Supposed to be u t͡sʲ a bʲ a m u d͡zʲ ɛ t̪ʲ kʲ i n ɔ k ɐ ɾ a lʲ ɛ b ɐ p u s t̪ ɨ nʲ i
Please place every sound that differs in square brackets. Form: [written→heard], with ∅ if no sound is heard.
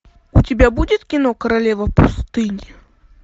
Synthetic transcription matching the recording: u t͡sʲ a bʲ a [m→b] u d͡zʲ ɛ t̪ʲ kʲ i n ɔ k ɐ ɾ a lʲ ɛ [b→v] ɐ p u s t̪ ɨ nʲ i